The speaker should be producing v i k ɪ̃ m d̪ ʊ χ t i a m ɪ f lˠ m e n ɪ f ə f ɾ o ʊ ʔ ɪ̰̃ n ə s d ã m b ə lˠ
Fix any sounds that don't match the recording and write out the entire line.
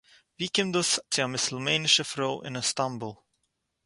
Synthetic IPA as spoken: v i k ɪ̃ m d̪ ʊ s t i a m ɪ s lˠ m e n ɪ ʃ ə f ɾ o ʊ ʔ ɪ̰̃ n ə s t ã m b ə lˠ